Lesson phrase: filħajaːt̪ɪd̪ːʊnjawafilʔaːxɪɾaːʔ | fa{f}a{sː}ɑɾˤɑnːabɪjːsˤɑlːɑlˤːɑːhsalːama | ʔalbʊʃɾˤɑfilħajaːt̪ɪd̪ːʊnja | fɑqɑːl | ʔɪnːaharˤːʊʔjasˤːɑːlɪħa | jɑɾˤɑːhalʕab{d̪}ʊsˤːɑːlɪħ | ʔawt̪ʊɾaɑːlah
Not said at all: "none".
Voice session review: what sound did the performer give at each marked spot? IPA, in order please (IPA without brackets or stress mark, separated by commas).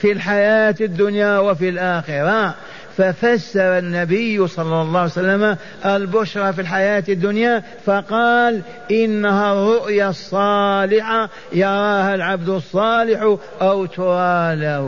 f, sː, d̪